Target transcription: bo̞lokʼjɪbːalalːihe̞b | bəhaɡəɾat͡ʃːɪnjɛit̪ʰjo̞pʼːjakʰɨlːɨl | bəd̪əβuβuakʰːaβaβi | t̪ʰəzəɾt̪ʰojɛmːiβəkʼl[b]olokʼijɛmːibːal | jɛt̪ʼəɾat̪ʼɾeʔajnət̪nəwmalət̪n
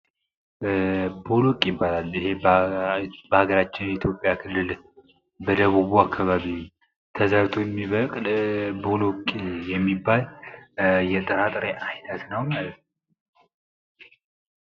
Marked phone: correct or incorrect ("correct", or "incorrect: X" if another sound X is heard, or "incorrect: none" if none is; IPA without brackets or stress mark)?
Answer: correct